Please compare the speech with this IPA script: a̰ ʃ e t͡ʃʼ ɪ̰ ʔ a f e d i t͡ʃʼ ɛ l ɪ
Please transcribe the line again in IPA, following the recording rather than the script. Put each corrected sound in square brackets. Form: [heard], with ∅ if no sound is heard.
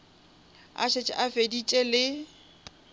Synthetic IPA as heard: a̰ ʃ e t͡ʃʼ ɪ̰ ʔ a f e d i t͡ʃʼ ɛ l ɪ